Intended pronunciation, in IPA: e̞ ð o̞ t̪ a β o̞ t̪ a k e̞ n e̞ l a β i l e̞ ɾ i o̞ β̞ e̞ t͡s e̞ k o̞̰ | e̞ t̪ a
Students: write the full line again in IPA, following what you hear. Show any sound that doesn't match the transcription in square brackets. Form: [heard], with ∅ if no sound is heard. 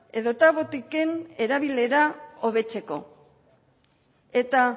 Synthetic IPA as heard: e̞ ð o̞ t̪ a β o̞ t̪ [i] k e̞ n e̞ [ɾ] a β i l e̞ ɾ [a] o̞ β̞ e̞ t͡s e̞ k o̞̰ | e̞ t̪ a